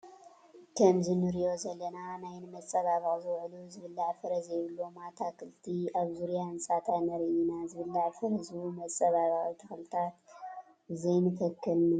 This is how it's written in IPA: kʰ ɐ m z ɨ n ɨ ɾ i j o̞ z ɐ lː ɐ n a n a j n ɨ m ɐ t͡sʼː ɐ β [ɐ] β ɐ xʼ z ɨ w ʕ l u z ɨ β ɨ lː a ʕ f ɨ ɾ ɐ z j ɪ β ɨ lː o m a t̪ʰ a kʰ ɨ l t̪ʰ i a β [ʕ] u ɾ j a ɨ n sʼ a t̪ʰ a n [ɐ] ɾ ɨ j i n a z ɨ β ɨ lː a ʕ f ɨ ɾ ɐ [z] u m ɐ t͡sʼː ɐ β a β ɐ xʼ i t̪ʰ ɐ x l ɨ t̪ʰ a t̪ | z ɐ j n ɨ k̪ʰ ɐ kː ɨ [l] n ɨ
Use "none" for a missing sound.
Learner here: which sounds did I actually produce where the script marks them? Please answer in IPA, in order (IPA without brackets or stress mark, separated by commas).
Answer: a, z, ɐ, z, l